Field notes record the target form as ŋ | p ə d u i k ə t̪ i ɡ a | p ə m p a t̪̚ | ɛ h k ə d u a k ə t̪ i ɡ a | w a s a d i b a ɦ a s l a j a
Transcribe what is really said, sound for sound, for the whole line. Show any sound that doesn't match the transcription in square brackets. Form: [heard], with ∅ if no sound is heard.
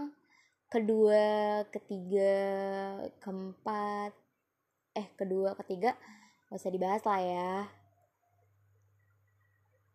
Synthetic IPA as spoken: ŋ | [k] ə d u [a] k ə t̪ i ɡ a | [k] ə m p a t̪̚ | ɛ h k ə d u a k ə t̪ i ɡ a | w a s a d i b a ɦ a s l a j a